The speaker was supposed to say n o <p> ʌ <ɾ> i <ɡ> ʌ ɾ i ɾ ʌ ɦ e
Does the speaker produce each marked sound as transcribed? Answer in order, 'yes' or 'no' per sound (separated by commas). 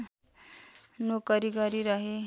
no, yes, yes